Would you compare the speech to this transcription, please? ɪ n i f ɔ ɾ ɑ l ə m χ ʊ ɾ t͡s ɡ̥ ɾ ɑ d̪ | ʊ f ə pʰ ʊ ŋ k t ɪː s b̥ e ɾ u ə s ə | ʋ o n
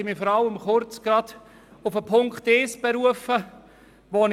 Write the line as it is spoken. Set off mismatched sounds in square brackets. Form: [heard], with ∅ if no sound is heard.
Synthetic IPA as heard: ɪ [m] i f ɔ ɾ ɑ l ə m χ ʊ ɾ t͡s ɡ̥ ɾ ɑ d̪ | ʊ f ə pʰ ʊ ŋ k t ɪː s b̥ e ɾ u ə [f] ə | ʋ o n